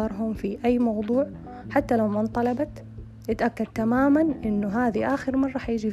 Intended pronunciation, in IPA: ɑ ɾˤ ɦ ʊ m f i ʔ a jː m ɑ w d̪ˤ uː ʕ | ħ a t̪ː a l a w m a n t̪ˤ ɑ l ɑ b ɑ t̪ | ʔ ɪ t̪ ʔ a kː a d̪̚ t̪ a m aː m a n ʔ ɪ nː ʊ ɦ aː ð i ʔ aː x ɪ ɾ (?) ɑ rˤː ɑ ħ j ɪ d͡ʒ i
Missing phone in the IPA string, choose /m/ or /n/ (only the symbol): m